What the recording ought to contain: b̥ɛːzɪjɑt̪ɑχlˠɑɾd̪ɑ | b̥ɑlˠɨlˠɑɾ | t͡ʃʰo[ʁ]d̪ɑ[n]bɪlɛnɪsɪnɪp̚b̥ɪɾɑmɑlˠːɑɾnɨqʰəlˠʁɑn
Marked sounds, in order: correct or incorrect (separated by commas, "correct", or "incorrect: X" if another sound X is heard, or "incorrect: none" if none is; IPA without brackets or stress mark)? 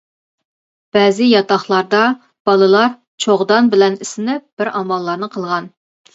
correct, correct